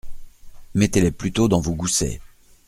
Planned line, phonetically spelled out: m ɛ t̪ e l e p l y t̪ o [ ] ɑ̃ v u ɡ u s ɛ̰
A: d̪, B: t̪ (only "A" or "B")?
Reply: A